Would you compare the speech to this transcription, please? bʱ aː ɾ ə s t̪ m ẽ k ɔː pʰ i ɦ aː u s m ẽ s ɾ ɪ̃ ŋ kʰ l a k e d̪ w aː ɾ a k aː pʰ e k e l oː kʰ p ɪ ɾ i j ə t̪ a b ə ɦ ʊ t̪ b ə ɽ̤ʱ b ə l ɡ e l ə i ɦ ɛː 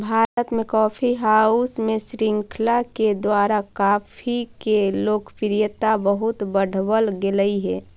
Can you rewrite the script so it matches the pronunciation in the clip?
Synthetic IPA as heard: bʱ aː ɾ ə t̪ m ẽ k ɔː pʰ i ɦ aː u s m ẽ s ɾ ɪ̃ ŋ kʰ l a k e d̪ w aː ɾ a k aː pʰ i k e l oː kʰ p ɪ ɾ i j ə t̪ a b ə ɦ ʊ t̪ b ə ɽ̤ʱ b ə l ɡ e l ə i ɦ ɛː